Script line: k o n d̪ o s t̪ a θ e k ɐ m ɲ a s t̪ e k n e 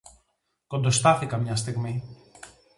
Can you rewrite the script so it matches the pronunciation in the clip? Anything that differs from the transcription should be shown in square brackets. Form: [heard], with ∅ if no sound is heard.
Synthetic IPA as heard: k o n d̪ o s t̪ a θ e k [a] m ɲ a s t̪ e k [m] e